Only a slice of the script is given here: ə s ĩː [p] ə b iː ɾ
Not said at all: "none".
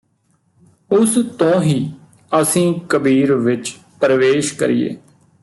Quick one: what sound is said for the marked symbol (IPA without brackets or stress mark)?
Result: k